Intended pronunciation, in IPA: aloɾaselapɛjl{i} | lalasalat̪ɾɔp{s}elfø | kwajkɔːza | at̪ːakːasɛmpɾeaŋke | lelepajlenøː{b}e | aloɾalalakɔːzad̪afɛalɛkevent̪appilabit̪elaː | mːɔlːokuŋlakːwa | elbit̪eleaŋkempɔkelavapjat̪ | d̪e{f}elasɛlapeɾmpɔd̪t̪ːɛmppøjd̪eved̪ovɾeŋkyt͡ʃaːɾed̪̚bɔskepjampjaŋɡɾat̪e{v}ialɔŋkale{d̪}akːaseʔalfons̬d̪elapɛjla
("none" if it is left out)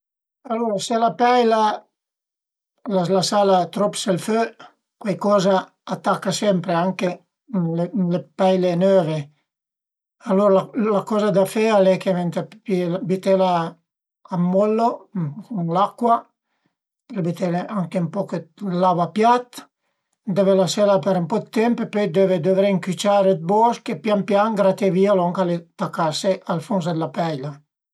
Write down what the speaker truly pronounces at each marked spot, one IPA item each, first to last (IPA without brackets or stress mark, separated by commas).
a, s, v, v, v, t̪